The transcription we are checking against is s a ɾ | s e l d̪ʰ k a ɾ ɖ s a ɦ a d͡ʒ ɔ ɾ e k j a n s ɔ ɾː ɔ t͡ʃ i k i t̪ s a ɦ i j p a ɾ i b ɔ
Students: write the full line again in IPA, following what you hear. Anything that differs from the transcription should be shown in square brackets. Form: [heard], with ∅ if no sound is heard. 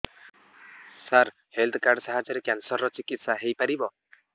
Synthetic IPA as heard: s a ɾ | [h] e l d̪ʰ k a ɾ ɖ s a ɦ a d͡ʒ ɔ ɾ e k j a n s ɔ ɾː ɔ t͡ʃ i k i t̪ s a ɦ [e] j p a ɾ i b ɔ